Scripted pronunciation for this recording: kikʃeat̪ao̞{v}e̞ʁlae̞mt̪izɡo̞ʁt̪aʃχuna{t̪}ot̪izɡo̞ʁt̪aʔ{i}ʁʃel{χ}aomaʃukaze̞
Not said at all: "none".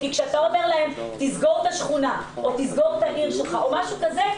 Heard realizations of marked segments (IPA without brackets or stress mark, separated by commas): v, none, i, χ